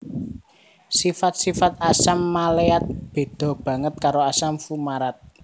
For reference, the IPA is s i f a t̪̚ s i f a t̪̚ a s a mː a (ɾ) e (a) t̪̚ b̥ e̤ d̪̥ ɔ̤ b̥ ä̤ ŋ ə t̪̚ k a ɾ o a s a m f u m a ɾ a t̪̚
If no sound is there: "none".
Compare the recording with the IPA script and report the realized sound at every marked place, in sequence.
l, a

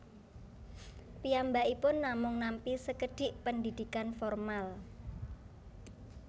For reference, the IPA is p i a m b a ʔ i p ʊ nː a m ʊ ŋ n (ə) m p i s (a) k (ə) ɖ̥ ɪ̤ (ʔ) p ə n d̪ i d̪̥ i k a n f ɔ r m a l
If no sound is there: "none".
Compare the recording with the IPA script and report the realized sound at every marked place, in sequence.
a, ə, ə, ʔ

